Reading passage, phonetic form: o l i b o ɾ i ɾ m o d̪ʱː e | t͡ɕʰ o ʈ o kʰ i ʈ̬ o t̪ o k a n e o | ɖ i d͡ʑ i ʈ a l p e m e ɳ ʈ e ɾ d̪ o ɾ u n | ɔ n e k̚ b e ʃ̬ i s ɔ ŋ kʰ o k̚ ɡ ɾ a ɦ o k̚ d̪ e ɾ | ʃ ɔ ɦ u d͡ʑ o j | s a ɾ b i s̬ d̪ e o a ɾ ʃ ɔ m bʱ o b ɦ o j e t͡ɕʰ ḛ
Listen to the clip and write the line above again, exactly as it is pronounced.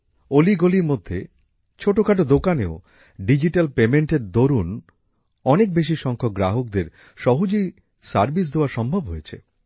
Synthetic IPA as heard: o l i ɡ o l i ɾ m o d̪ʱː e | t͡ɕʰ o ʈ o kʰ a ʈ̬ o d̪ o k a n e o | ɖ i d͡ʑ i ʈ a l p e m e ɳ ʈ e ɾ d̪ o ɾ u n | ɔ n e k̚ b e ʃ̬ i ʃ ɔ ŋ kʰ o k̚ ɡ ɾ a ɦ o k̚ d̪ e ɾ | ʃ ɔ ɦ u d͡ʑ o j | s a ɾ b i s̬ d̪ e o a ɾ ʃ ɔ m bʱ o b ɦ o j e t͡ɕʰ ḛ